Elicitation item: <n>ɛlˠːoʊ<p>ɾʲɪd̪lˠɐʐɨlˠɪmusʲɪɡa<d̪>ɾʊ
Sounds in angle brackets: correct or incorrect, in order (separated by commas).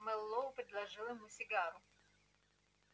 incorrect, correct, incorrect